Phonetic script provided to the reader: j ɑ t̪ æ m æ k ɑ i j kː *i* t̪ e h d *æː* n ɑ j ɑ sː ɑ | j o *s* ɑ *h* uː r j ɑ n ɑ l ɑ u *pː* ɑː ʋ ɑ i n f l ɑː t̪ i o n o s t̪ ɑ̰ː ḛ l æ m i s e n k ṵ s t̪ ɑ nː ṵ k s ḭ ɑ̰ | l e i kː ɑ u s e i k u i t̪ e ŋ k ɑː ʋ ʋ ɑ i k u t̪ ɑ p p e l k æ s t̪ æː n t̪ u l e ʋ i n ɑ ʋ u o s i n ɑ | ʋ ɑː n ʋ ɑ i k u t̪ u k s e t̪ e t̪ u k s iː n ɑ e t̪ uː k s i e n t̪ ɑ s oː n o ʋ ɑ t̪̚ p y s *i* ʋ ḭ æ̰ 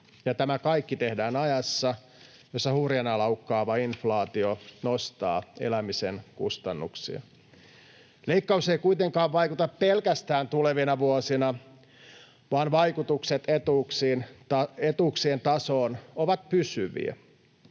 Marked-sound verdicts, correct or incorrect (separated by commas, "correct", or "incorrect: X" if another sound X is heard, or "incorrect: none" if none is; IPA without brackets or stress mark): correct, correct, incorrect: sː, correct, incorrect: kː, incorrect: y